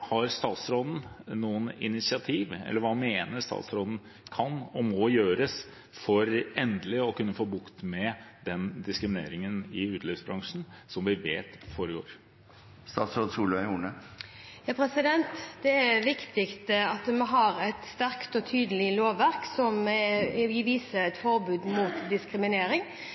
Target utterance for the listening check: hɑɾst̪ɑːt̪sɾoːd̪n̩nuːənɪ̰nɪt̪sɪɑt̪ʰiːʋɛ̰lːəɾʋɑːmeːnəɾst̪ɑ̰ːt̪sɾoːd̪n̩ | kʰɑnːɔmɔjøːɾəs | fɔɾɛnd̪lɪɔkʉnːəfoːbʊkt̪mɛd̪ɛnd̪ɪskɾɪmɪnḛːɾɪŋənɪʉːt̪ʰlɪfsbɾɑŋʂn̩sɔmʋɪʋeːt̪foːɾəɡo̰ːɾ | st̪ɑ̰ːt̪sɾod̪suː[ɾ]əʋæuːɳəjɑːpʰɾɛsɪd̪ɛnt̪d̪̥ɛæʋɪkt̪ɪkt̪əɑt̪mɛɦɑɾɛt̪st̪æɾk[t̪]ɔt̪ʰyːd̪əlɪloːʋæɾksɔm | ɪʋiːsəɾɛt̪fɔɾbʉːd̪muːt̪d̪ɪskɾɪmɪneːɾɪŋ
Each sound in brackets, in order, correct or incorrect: incorrect, correct

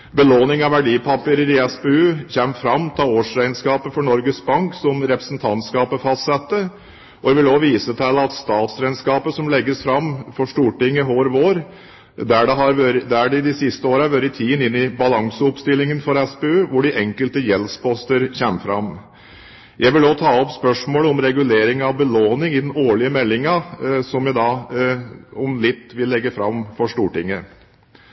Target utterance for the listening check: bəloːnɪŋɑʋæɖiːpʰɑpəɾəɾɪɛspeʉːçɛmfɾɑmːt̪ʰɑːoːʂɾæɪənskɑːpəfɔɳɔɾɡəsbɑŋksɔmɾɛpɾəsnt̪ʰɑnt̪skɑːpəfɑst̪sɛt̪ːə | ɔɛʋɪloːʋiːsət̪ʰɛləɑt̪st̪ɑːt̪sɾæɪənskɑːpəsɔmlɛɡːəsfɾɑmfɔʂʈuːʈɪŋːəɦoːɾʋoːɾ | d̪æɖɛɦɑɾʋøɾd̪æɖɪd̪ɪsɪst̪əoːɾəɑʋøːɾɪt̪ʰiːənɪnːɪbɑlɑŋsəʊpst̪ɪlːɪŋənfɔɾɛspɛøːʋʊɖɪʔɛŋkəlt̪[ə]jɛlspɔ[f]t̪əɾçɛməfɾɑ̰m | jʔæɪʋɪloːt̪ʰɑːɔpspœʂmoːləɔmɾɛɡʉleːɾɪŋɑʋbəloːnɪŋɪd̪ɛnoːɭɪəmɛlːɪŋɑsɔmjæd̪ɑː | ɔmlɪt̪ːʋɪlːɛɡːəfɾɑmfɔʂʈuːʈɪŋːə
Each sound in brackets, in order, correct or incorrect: correct, incorrect

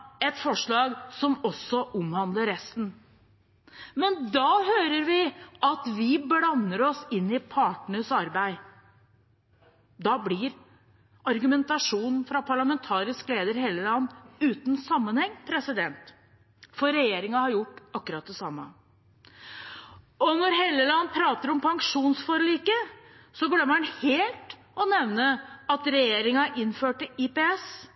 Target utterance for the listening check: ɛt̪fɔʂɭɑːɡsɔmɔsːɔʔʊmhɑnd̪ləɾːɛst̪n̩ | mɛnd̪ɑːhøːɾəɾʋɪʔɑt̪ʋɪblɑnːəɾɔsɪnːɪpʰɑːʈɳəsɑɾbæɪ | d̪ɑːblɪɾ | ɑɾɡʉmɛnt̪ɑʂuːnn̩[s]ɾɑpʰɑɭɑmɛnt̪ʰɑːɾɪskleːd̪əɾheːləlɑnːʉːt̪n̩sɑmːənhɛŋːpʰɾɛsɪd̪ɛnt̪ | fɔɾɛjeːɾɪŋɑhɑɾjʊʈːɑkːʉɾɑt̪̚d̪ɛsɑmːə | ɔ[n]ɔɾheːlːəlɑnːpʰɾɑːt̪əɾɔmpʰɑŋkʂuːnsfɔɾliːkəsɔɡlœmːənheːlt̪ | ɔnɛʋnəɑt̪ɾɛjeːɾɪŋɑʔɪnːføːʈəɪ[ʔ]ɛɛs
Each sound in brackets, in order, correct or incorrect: incorrect, correct, incorrect

